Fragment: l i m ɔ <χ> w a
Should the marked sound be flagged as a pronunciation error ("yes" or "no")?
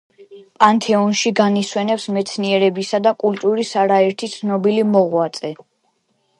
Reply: yes